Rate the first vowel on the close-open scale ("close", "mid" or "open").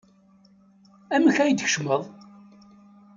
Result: open